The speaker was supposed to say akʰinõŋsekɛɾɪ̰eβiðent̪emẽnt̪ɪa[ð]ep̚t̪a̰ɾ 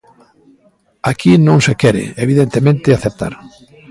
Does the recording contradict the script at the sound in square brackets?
yes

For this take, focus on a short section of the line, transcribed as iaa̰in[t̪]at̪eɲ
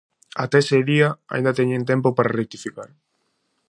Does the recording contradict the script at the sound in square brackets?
yes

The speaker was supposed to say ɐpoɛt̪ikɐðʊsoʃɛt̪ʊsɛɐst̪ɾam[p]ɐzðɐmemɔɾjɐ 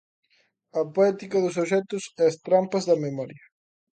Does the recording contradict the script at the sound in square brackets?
no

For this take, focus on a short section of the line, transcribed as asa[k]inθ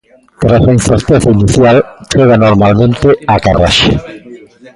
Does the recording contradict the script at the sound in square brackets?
yes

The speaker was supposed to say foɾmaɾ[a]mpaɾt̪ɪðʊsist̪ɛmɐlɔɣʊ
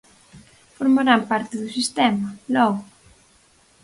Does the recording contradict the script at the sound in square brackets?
no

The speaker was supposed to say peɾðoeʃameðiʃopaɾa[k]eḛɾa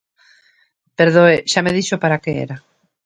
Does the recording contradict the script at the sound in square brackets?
no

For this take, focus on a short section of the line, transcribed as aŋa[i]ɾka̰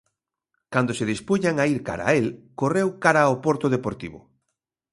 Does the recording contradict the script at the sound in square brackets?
no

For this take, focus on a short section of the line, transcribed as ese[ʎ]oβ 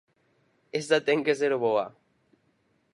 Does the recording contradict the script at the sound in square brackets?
yes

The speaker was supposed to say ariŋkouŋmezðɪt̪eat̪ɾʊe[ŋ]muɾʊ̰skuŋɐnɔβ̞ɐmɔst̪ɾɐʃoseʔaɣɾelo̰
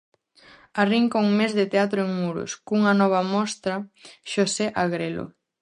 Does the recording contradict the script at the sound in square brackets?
no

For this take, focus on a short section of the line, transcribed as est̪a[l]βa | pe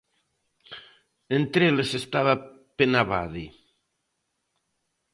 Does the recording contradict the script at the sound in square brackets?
yes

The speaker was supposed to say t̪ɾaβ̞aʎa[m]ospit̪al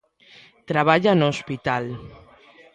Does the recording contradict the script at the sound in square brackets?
yes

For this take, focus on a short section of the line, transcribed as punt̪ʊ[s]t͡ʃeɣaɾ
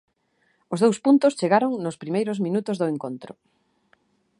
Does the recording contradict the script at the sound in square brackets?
no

